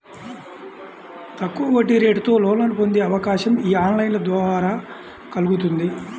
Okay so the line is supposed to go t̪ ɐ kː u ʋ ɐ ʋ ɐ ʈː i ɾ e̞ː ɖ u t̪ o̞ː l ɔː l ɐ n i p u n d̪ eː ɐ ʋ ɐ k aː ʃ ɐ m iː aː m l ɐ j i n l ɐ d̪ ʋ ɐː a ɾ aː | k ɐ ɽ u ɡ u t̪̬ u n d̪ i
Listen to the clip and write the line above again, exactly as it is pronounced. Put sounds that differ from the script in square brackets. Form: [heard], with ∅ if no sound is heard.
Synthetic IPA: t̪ ɐ kː u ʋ ɐ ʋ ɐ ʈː i ɾ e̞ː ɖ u t̪ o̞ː l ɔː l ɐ n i p [o] n d̪ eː ɐ ʋ ɐ k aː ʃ ɐ m iː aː [n] l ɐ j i n l ɐ d̪ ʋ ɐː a ɾ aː | k ɐ [l] u ɡ u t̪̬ u n d̪ i